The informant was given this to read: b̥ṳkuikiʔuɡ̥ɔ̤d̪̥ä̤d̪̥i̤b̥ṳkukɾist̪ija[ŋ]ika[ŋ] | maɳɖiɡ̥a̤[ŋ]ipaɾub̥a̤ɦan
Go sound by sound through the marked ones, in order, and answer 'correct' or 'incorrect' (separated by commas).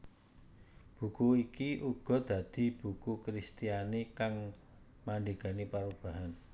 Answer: incorrect, correct, incorrect